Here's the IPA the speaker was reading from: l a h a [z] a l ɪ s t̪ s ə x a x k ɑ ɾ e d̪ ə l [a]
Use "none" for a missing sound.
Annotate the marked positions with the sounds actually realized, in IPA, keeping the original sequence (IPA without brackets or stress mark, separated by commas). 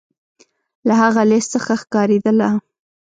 ɣ, a